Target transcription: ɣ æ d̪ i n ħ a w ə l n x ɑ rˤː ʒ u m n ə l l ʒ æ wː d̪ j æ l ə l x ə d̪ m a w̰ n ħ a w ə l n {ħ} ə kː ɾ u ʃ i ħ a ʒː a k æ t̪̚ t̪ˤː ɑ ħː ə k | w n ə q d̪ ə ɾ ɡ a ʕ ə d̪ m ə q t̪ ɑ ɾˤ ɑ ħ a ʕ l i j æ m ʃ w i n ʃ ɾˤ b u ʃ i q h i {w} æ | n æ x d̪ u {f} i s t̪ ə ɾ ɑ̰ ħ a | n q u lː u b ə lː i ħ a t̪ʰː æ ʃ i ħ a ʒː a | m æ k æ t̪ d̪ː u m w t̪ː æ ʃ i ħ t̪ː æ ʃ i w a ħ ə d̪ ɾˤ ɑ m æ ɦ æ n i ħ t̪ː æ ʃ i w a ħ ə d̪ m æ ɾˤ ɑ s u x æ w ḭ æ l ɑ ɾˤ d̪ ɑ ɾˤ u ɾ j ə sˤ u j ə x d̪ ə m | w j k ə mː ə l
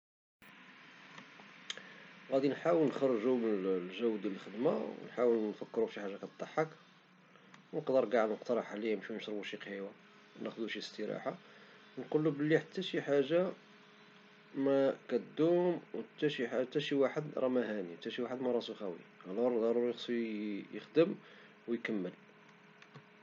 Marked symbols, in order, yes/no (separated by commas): no, yes, no